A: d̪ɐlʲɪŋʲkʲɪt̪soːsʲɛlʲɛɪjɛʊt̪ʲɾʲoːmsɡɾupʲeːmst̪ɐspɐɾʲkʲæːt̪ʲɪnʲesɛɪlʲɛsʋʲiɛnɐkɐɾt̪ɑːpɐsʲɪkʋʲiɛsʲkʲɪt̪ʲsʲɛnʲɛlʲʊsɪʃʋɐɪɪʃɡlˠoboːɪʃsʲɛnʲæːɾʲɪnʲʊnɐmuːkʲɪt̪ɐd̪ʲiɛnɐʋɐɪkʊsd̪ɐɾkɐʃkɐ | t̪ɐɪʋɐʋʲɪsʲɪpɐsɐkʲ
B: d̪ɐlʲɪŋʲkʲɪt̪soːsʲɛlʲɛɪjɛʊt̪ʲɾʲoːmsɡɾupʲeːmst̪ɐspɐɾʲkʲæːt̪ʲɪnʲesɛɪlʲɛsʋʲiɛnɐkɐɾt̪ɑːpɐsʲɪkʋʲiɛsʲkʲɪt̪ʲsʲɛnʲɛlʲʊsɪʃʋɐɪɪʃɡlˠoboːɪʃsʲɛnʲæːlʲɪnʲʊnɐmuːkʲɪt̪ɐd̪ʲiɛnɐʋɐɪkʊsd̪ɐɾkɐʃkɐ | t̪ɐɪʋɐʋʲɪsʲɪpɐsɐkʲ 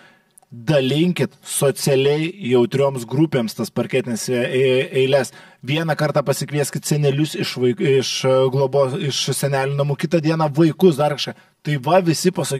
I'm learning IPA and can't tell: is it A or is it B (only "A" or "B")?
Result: B